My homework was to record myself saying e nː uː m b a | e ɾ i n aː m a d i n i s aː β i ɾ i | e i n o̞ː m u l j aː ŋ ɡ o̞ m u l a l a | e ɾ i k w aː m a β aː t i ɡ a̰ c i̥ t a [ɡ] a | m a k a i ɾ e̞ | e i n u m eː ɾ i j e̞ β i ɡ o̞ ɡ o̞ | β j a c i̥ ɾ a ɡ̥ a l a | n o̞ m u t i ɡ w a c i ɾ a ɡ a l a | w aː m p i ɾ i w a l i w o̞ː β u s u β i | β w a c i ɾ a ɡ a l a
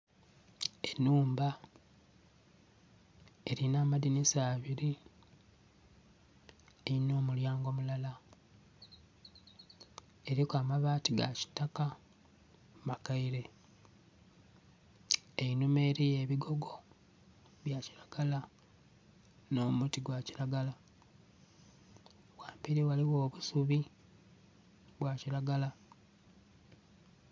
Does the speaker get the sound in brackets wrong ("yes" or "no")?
yes